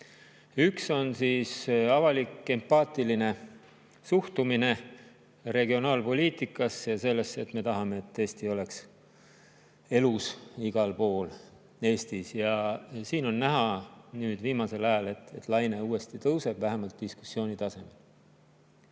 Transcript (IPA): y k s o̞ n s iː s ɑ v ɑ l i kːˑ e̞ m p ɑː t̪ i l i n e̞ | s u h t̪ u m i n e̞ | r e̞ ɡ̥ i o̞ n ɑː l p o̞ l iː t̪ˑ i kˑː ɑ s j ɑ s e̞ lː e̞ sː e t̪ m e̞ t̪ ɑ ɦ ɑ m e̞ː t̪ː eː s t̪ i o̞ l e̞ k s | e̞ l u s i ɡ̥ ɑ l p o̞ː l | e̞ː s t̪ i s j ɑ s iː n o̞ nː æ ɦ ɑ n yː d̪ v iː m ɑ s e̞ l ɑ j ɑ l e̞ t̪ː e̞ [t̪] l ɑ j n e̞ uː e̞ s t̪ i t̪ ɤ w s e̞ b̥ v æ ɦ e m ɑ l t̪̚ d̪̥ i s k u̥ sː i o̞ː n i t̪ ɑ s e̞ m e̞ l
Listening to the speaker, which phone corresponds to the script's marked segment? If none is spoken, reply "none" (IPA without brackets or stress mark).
t̪